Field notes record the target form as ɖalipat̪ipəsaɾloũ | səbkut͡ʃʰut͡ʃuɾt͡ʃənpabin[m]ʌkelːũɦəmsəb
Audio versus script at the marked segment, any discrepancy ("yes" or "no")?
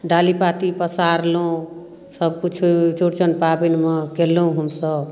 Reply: no